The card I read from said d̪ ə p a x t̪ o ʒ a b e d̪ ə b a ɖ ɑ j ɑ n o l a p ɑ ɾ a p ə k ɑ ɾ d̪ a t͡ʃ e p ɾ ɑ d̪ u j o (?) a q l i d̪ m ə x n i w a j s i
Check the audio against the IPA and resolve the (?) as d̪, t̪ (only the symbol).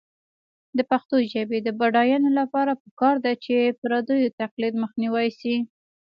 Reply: t̪